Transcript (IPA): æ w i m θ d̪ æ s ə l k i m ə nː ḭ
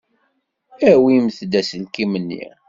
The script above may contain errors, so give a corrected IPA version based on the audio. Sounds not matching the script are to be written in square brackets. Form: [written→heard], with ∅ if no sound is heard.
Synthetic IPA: æ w i m θ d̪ æ s ə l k i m ə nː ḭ